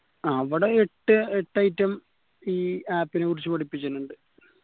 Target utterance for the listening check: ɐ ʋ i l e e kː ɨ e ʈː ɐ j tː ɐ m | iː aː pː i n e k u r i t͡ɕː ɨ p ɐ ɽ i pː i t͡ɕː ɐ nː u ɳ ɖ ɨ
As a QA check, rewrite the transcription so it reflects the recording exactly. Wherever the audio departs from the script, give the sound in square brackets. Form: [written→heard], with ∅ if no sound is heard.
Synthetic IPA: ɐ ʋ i [l→ɽ] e e [kː→ʈː] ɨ e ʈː ɐ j tː ɐ m | iː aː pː i n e k u r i t͡ɕː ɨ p ɐ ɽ i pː i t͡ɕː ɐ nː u ɳ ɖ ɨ

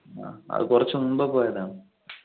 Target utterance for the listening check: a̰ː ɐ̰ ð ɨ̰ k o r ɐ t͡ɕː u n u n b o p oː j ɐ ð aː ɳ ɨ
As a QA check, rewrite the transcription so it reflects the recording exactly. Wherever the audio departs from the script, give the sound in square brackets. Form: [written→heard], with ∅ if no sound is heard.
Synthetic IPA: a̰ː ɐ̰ ð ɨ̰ k [o→u] r ɐ t͡ɕː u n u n b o p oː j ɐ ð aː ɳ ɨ

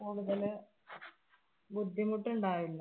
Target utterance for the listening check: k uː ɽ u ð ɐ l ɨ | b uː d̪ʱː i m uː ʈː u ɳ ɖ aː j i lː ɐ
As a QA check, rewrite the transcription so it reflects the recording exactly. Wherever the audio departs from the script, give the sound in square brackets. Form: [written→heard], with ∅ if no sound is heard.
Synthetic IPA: k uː ɽ u ð ɐ l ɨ | b [uː→u] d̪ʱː i m [uː→u] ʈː u ɳ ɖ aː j i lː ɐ

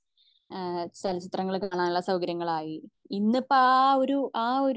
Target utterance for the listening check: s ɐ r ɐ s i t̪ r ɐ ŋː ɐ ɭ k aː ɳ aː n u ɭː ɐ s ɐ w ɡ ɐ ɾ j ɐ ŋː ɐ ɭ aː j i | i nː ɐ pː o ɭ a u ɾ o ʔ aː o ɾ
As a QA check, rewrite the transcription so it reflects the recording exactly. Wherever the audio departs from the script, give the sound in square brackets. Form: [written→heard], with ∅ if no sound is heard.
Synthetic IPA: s ɐ [r→l] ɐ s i t̪ r ɐ ŋː ɐ ɭ k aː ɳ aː n u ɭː ɐ s ɐ w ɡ ɐ ɾ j ɐ ŋː ɐ ɭ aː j i | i nː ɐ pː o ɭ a [u→o] ɾ [o→u] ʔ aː o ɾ

